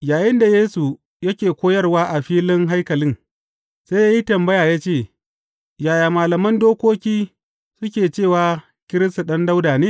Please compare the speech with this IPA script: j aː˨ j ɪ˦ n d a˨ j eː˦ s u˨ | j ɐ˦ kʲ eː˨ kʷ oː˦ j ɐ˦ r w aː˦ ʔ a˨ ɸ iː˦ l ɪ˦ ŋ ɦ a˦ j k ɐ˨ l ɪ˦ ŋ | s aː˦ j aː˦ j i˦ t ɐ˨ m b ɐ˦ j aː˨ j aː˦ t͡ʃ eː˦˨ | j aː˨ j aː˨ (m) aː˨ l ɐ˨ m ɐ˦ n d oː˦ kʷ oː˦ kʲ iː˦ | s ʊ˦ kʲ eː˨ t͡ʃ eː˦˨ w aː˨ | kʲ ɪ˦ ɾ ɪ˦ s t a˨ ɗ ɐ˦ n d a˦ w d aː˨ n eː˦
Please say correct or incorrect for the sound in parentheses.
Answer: correct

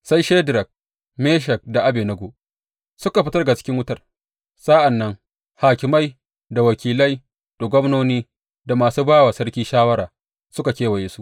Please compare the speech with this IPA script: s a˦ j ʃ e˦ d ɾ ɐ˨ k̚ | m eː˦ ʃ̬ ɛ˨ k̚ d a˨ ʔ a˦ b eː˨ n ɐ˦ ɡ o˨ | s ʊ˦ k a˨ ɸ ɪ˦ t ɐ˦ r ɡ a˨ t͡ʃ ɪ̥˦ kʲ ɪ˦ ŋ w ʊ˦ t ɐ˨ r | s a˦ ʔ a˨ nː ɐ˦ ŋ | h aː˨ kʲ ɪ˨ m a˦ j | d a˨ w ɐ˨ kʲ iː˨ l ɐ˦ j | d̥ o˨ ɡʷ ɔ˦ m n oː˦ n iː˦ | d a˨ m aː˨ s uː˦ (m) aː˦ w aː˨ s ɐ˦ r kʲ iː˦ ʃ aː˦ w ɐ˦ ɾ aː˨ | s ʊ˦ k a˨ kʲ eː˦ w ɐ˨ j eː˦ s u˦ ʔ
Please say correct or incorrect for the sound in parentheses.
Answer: incorrect: b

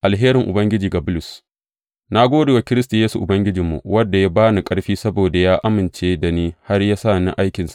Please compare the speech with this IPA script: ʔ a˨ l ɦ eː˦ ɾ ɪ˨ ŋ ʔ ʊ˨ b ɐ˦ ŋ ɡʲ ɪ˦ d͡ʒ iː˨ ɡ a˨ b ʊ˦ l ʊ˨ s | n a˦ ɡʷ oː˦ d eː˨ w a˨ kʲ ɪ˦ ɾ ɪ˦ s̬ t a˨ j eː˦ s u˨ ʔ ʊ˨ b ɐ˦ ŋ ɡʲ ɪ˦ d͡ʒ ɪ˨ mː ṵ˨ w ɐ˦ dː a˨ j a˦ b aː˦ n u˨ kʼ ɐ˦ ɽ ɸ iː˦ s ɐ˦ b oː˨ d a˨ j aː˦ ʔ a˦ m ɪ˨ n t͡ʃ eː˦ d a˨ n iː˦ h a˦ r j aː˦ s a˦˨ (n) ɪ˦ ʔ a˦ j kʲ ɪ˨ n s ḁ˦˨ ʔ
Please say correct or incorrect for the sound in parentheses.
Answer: correct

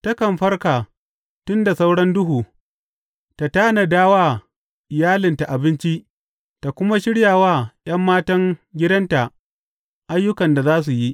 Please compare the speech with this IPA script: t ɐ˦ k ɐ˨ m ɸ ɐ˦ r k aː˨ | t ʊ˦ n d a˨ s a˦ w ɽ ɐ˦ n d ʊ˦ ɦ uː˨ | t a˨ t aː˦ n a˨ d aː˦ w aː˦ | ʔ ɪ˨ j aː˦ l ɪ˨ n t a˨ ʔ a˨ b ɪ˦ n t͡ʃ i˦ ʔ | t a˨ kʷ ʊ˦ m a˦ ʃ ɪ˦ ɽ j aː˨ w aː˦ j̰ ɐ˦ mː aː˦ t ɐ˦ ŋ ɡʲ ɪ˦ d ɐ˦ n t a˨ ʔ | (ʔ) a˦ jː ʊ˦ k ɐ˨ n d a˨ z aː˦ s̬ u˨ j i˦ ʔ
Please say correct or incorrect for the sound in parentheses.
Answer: correct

